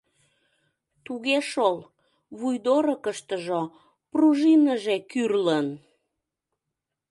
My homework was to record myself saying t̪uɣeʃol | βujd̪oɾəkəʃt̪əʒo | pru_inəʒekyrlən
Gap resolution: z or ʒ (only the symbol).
ʒ